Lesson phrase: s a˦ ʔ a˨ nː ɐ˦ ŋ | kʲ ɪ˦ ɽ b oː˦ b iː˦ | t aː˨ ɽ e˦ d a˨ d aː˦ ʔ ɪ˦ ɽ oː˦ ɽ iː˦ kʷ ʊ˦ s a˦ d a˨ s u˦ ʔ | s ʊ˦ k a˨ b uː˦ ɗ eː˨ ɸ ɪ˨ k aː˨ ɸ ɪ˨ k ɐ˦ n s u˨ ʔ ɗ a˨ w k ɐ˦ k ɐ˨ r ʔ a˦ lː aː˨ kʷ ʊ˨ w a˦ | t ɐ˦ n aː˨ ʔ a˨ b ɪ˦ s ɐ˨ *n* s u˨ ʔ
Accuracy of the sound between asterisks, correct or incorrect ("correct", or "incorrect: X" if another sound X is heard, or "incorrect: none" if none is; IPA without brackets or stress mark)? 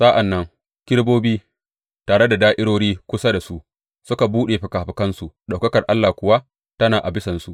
correct